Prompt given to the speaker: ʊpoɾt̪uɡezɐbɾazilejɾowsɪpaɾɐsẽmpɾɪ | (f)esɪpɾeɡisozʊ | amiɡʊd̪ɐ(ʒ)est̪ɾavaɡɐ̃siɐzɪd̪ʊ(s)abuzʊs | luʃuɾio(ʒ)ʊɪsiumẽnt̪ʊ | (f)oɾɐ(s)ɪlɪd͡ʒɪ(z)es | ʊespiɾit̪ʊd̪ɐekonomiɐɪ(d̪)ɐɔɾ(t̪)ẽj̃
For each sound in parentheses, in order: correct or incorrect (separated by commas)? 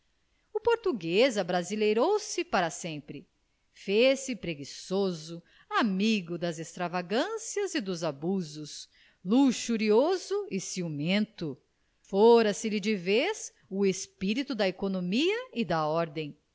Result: correct, incorrect, incorrect, incorrect, correct, correct, incorrect, correct, incorrect